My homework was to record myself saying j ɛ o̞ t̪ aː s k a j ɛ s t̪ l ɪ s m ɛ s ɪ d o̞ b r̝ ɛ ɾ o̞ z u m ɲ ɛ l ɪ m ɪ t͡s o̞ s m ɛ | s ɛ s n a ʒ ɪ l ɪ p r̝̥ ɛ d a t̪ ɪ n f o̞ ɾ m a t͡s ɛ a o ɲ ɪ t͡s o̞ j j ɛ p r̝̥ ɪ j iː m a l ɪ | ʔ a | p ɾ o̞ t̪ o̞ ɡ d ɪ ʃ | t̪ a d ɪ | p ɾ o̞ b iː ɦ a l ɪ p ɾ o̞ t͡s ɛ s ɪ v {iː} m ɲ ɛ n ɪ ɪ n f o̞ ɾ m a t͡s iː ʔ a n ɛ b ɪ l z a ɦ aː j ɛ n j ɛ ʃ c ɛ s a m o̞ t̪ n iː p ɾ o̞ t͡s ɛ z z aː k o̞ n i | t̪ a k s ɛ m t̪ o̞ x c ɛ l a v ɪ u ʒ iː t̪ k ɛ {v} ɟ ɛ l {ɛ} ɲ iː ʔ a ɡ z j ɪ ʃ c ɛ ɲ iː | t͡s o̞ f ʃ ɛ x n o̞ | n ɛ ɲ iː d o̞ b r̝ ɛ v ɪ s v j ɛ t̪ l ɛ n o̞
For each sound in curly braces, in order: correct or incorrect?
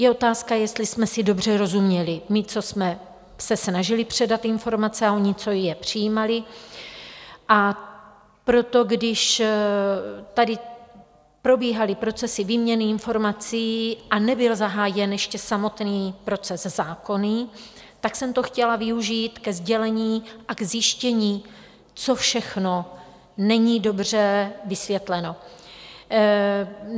correct, incorrect: z, correct

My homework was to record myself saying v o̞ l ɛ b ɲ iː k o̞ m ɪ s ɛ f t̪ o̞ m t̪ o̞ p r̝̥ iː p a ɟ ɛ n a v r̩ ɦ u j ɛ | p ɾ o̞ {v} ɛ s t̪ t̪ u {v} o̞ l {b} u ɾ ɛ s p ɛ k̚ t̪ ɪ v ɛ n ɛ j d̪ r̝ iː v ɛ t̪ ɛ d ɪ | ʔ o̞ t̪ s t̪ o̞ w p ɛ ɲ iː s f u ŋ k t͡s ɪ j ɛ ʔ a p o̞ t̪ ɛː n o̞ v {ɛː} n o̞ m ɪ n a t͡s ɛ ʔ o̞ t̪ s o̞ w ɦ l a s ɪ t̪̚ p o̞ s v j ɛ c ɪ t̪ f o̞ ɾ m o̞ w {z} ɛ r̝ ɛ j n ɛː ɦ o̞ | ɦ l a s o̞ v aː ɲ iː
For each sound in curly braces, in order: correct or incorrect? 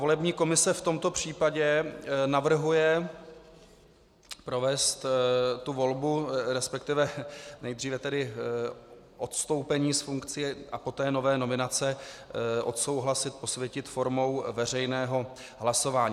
correct, correct, correct, correct, incorrect: v

